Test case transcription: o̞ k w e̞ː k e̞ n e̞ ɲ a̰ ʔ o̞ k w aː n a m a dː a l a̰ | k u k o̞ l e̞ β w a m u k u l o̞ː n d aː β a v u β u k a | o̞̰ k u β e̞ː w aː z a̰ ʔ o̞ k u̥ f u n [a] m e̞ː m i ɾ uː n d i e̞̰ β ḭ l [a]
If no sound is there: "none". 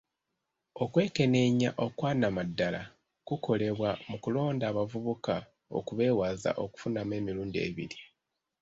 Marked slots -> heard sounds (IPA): a, i

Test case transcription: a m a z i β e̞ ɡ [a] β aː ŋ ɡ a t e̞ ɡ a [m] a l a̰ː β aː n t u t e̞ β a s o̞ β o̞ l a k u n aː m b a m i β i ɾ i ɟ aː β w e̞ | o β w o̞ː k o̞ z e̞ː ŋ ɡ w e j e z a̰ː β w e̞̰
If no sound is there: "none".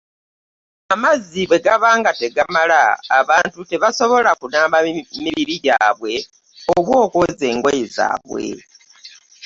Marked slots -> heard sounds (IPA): a, m

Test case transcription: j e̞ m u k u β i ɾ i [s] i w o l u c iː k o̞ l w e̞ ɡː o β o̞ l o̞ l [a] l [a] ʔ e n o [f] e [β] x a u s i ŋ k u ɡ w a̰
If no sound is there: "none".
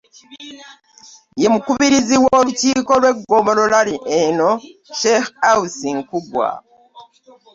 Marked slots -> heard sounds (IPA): z, a, i, ʃ, none

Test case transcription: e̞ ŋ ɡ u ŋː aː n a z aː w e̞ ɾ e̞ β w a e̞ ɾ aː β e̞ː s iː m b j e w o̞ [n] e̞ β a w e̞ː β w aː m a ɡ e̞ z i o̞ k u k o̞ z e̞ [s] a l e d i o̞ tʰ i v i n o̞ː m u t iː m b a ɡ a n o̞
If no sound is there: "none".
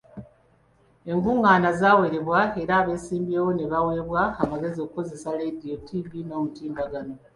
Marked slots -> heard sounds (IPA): n, s

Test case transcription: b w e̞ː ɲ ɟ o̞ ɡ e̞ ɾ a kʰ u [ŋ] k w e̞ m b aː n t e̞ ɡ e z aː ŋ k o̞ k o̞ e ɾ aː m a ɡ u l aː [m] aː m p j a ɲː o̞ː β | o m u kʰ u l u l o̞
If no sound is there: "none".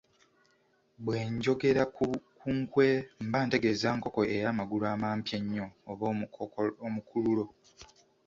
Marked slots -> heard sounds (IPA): ŋ, m

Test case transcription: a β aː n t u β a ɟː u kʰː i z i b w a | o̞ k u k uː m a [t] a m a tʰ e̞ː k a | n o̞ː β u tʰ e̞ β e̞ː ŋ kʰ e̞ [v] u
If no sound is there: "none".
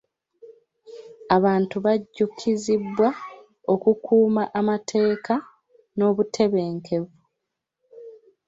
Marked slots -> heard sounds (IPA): ʔ, v

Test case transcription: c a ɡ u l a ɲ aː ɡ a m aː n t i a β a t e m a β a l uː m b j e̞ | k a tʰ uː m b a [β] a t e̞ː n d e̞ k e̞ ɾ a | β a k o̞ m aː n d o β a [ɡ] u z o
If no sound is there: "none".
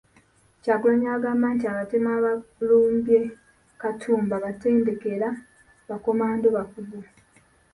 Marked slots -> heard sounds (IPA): β, k

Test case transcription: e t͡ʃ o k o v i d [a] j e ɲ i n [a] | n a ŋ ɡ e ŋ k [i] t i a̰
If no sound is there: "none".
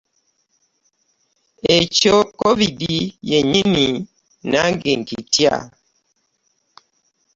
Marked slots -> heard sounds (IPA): i, i, i

